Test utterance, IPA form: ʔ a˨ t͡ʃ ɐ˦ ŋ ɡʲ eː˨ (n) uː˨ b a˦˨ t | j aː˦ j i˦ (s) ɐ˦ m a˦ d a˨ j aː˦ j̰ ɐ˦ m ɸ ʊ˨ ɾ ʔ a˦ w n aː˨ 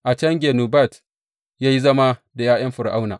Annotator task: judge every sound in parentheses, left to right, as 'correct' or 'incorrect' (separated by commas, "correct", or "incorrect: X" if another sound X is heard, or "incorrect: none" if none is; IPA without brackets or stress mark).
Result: correct, incorrect: z